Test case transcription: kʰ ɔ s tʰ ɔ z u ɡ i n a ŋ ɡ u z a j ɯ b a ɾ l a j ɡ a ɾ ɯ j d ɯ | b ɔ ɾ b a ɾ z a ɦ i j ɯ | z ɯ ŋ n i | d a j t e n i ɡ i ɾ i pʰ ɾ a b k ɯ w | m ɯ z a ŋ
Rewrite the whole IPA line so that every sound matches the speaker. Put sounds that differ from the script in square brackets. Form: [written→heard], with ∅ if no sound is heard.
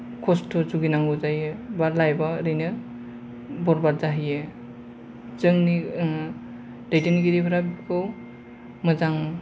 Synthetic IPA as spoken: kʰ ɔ s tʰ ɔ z u ɡ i n a ŋ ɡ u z a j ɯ b a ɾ l a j [ɡ→b] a ɾ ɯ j [d→n] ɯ | b ɔ ɾ b a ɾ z a ɦ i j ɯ | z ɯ ŋ n i | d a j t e n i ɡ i ɾ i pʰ ɾ a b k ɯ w | m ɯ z a ŋ

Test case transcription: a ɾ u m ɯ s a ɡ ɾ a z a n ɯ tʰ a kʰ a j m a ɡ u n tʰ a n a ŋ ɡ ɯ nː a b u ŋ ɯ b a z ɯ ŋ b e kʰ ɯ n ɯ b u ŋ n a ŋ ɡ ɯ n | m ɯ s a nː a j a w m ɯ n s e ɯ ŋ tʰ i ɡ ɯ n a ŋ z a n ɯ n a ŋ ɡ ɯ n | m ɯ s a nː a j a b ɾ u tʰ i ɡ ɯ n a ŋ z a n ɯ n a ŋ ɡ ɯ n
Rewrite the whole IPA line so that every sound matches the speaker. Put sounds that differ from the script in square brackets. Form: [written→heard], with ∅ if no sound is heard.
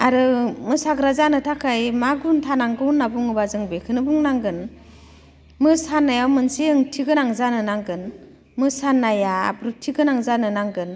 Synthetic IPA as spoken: a ɾ [u→ɯ] m ɯ s a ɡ ɾ a z a n ɯ tʰ a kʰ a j m a ɡ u n tʰ a n a ŋ ɡ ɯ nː a b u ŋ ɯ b a z ɯ ŋ b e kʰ ɯ n ɯ b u ŋ n a ŋ ɡ ɯ n | m ɯ s a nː a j a w m ɯ n s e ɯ ŋ tʰ i ɡ ɯ n a ŋ z a n ɯ n a ŋ ɡ ɯ n | m ɯ s a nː a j a b ɾ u tʰ i ɡ ɯ n a ŋ z a n ɯ n a ŋ ɡ ɯ n

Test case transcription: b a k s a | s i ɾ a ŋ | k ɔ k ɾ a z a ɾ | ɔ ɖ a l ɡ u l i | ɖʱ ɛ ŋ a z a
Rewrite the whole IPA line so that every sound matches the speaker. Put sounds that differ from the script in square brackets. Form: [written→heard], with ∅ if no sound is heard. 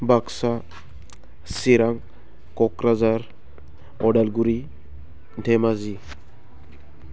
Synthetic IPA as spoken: b a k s a | s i ɾ a ŋ | k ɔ k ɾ a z a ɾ | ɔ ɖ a l ɡ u [l→ɾ] i | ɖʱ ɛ [ŋ→m] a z [a→i]

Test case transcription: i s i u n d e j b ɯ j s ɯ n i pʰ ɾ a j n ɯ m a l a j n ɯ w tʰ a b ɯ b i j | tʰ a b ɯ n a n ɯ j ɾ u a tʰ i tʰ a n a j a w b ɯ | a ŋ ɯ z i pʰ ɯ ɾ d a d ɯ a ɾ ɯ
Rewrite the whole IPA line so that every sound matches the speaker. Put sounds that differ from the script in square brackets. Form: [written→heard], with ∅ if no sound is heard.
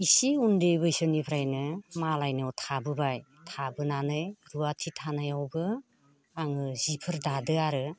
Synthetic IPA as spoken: i s i u n d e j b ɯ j s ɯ n i pʰ ɾ a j n ɯ m a l a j n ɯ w tʰ a b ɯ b [i→a] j | tʰ a b ɯ n a n ɯ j ɾ u a tʰ i tʰ a n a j a w b ɯ | a ŋ ɯ z i pʰ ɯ ɾ d a d ɯ a ɾ ɯ

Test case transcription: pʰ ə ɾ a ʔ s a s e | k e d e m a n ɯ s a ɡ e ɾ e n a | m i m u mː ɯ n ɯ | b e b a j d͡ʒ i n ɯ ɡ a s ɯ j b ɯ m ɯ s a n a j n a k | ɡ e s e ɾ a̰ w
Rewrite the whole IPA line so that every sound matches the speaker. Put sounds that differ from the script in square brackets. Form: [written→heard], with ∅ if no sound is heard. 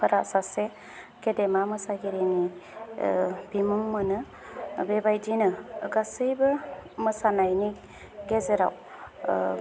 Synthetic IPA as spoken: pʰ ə ɾ a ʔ s a s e | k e d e m a [n→m] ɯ s a ɡ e ɾ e n [a→i] | [m→b] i m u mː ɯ n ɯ | b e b a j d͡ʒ i n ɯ ɡ a s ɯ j b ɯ m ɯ s a n a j n [a→i] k | ɡ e [s→z] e ɾ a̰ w

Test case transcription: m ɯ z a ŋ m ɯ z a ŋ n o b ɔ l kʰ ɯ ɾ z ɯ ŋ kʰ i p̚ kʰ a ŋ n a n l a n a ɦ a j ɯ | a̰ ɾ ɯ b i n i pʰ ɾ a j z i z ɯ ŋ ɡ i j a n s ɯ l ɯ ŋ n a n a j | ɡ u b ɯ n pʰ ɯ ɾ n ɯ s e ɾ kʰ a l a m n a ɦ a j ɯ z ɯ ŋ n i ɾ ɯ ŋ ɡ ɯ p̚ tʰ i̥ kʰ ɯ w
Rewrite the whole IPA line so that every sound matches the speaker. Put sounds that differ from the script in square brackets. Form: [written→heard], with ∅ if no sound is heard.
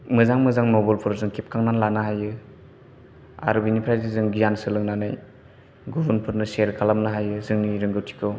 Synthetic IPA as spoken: m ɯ z a ŋ m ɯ z a ŋ n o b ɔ l [kʰ→pʰ] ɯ ɾ z ɯ ŋ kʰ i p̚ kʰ a ŋ n a n l a n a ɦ a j ɯ | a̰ ɾ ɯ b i n i pʰ ɾ a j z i z ɯ ŋ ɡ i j a n s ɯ l ɯ ŋ n a n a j | ɡ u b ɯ n pʰ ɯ ɾ n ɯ s e ɾ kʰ a l a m n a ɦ a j ɯ z ɯ ŋ n i ɾ ɯ ŋ ɡ ɯ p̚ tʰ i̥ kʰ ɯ w

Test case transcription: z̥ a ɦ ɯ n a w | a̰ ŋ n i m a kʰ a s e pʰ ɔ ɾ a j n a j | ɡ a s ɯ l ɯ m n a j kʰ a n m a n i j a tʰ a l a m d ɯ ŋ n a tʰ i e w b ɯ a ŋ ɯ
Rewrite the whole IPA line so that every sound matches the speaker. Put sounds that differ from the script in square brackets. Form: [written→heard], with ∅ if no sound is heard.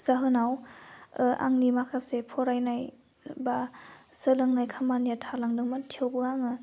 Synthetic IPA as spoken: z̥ a ɦ ɯ n a w | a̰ ŋ n i m a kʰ a s e pʰ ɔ ɾ a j n a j | [ɡ→b] a s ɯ l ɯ [m→ŋ] n a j kʰ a [n→∅] m a n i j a tʰ a l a [m→ŋ] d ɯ ŋ [n→m] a tʰ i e w b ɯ a ŋ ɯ

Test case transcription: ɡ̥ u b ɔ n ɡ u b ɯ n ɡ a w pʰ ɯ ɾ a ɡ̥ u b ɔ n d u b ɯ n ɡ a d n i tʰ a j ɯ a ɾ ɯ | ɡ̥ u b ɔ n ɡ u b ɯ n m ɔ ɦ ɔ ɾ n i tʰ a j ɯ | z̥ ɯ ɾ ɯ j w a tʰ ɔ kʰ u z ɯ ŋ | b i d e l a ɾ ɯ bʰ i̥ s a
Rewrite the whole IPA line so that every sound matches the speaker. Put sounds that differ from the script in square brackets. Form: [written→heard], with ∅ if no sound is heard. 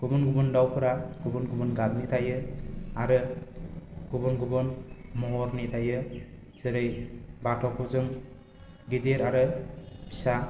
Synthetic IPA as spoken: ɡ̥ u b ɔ n ɡ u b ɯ n [ɡ→d] a w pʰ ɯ ɾ a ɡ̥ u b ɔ n [d→ɡ] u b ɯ n ɡ a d n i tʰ a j ɯ a ɾ ɯ | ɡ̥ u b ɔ n ɡ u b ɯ n m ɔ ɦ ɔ ɾ n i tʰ a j ɯ | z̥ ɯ ɾ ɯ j [w→b] a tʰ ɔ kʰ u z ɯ ŋ | [b→ɡ] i d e [l→ɾ] a ɾ ɯ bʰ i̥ s a

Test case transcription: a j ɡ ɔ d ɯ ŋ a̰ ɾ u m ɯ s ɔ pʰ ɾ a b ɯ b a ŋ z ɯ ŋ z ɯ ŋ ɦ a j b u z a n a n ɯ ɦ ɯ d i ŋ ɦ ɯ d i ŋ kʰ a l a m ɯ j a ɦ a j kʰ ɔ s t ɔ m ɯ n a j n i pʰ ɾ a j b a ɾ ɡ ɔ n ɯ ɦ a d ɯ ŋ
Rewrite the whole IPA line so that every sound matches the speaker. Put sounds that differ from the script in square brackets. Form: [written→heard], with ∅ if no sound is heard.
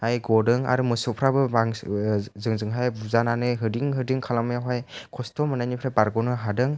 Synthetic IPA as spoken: a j ɡ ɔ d ɯ ŋ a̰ ɾ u m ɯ s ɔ pʰ ɾ a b ɯ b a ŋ z ɯ ŋ z ɯ ŋ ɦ a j b u z a n a n ɯ ɦ ɯ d i ŋ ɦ ɯ d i ŋ kʰ a l a m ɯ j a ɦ a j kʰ ɔ s t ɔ m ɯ n a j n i pʰ ɾ a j b a ɾ ɡ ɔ n ɯ ɦ a d ɯ ŋ

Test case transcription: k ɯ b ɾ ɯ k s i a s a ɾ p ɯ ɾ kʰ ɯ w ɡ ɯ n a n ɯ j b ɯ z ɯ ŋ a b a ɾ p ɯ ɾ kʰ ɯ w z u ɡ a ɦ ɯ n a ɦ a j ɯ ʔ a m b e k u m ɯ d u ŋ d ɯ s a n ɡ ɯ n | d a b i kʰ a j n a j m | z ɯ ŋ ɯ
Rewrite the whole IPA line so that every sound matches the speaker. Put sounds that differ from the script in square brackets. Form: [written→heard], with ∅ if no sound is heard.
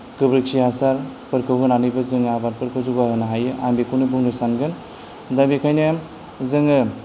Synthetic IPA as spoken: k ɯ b ɾ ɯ k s i a s a ɾ p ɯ ɾ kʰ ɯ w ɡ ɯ n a n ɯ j b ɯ z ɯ ŋ a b a ɾ p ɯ ɾ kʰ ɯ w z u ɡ a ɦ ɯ n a ɦ a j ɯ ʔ a m b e k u [m→n] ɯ [d→b] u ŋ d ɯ s a n ɡ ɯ n | d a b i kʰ a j n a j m | z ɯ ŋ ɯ

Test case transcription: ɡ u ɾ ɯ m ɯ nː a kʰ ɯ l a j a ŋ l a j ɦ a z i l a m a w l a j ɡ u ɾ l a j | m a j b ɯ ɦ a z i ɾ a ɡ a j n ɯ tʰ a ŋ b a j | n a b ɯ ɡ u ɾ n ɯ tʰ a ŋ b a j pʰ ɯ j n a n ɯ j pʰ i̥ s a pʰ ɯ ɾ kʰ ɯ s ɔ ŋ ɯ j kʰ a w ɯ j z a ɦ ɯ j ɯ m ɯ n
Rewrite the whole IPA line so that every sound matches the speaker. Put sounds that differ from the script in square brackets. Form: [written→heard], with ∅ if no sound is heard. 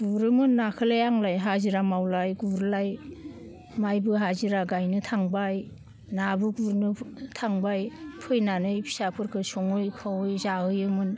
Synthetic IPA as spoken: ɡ u ɾ ɯ m ɯ nː a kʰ ɯ l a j a ŋ l a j ɦ a z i [l→ɾ] a m a w l a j ɡ u ɾ l a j | m a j b ɯ ɦ a z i ɾ a ɡ a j n ɯ tʰ a ŋ b a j | n a b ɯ ɡ u ɾ n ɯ tʰ a ŋ b a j pʰ ɯ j n a n ɯ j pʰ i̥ s a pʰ ɯ ɾ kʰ ɯ s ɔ ŋ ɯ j kʰ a w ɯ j z a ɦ ɯ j ɯ m ɯ n

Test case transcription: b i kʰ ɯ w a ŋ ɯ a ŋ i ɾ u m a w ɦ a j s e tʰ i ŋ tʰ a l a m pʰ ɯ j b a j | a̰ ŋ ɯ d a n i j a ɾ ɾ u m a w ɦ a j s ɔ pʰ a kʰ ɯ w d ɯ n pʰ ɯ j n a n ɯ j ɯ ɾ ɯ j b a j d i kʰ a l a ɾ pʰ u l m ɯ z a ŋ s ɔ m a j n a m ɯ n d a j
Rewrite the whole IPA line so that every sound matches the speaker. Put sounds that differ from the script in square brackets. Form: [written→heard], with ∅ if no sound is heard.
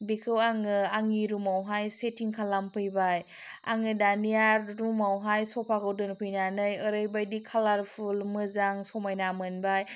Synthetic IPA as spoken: b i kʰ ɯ w a ŋ ɯ a ŋ i ɾ u m a w ɦ a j s e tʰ i ŋ [tʰ→kʰ] a l a m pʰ ɯ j b a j | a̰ ŋ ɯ d a n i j a ɾ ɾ u m a w ɦ a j s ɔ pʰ a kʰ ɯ w d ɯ n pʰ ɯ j n a n ɯ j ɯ ɾ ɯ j b a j d i kʰ a l a ɾ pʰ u l m ɯ z a ŋ s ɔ m a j n a m ɯ n [d→b] a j

